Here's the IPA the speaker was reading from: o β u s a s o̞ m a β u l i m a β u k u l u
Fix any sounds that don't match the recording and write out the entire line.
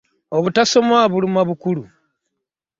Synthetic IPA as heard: o β u t a s o̞ m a β u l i m a β u k u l u